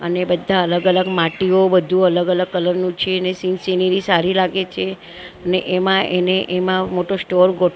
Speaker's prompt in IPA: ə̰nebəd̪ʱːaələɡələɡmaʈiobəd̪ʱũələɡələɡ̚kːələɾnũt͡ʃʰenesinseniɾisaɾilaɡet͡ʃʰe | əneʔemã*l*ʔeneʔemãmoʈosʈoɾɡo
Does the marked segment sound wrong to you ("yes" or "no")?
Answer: yes